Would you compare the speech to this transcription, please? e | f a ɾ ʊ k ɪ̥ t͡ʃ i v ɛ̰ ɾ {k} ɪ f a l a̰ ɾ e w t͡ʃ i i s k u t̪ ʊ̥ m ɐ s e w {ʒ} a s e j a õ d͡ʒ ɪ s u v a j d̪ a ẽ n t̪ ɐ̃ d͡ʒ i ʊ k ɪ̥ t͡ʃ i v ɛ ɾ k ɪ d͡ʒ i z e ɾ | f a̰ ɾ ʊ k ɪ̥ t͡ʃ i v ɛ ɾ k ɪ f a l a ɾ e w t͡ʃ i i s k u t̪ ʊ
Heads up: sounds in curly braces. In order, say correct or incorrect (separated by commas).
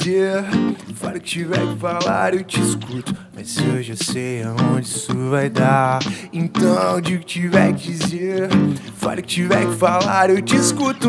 correct, correct